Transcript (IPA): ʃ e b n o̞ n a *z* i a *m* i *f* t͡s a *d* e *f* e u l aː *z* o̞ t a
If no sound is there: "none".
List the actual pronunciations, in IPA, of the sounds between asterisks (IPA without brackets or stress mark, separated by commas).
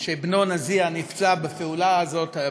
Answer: z, n, f, b, f, z